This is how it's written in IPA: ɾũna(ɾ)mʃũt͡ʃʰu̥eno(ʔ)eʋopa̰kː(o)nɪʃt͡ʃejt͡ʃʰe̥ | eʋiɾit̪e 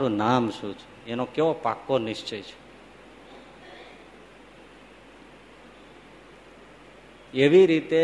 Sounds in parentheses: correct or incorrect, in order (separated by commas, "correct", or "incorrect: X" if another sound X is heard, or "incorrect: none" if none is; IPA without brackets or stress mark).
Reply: incorrect: none, incorrect: k, correct